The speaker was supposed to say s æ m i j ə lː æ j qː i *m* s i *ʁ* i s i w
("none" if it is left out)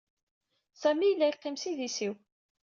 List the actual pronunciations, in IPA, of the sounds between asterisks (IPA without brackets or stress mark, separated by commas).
m, ð